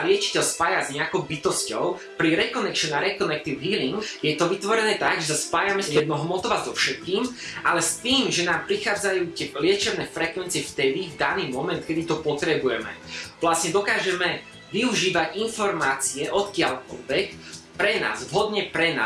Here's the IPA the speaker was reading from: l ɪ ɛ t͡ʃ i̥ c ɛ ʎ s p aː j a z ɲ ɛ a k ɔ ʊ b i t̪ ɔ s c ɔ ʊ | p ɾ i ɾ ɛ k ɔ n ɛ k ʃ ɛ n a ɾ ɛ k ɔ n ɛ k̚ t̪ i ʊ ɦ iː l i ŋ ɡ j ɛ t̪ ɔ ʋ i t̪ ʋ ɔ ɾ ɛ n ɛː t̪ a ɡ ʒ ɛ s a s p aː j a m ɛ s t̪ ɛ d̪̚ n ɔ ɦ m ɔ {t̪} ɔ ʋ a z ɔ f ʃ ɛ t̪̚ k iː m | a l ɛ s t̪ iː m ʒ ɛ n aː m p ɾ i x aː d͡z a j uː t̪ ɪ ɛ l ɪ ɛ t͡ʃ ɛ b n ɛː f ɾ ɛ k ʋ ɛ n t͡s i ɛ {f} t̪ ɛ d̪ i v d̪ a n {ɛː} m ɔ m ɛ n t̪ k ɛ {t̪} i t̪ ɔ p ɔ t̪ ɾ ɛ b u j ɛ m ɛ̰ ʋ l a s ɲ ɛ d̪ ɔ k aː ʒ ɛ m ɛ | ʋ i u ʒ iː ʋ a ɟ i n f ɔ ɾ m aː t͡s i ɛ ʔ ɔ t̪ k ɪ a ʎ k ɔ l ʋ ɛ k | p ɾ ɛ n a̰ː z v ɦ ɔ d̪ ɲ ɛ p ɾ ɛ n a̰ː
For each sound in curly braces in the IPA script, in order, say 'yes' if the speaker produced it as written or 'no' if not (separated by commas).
yes, yes, no, no